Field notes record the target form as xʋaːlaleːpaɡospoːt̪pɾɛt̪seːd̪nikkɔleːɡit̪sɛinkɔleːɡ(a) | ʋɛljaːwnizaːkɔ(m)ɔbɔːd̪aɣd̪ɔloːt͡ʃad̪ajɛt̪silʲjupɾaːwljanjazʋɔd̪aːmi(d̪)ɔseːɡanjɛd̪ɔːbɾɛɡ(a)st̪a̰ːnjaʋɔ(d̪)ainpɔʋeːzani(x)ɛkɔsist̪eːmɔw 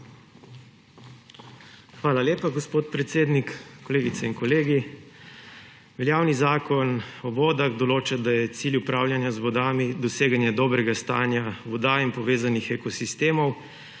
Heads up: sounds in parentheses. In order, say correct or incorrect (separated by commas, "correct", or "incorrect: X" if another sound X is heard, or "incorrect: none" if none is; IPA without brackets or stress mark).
incorrect: i, incorrect: n, correct, correct, correct, correct